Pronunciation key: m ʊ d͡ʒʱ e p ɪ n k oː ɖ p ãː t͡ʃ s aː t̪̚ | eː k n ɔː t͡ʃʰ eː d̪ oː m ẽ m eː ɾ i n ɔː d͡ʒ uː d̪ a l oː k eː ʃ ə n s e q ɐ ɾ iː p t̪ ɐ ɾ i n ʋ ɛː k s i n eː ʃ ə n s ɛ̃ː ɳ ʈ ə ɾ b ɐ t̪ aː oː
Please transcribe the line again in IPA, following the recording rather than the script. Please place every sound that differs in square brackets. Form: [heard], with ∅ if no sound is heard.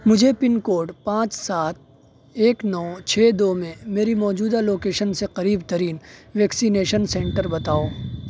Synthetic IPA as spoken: m ʊ d͡ʒʱ e p ɪ n k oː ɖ p ãː t͡ʃ s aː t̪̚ | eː k n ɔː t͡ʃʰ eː d̪ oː m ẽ m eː ɾ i [m] ɔː d͡ʒ uː d̪ a l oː k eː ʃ ə n s e q ɐ ɾ iː [b] t̪ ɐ ɾ [iː] n ʋ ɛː k s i n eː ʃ ə n s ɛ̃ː ɳ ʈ ə ɾ b ɐ t̪ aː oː